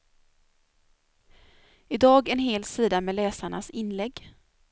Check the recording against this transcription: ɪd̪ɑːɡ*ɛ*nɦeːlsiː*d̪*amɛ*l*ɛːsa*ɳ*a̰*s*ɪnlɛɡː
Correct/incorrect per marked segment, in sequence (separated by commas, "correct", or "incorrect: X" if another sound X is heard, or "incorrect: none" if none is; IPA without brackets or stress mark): correct, correct, correct, correct, correct